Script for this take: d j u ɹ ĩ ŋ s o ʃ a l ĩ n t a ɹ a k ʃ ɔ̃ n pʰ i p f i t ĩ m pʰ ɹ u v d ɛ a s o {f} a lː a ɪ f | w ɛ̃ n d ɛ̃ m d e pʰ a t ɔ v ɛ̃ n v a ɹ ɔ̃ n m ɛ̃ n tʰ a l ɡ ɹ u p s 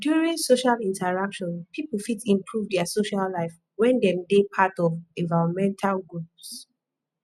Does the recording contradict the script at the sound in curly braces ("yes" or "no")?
yes